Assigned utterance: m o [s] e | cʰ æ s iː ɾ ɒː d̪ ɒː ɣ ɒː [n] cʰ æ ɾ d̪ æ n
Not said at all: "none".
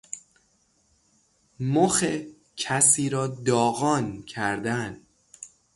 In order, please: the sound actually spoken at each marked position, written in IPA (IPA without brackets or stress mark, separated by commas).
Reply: x, n